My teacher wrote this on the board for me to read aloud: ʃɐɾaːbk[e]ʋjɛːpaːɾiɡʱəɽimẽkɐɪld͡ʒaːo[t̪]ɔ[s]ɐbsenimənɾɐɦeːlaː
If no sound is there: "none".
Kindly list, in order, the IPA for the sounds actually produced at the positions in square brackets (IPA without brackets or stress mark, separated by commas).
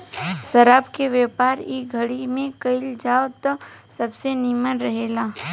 e, t̪, s